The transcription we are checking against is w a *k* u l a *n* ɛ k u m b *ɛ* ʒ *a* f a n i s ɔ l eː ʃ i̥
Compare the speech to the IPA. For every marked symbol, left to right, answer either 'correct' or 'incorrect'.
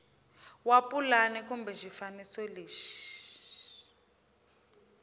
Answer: incorrect, correct, correct, incorrect

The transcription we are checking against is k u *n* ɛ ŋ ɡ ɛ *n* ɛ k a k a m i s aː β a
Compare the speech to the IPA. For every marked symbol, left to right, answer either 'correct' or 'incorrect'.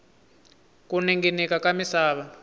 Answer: correct, correct

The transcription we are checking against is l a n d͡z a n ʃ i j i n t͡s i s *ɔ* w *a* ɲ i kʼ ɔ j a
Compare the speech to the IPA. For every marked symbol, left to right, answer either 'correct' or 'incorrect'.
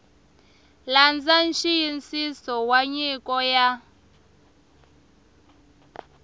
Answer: correct, correct

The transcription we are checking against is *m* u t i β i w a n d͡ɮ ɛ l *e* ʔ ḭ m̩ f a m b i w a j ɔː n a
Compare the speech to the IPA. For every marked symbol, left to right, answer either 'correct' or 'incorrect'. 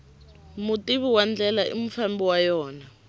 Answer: correct, incorrect

